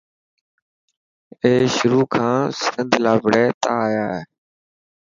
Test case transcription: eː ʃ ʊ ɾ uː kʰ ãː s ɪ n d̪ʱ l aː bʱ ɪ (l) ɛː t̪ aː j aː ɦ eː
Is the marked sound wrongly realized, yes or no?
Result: yes